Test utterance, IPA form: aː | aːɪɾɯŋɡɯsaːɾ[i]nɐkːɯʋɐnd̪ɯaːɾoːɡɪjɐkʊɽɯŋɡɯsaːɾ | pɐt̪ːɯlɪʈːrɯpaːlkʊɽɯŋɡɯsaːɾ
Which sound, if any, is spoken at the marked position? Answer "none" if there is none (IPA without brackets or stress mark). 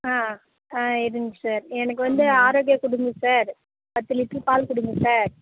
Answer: ɛ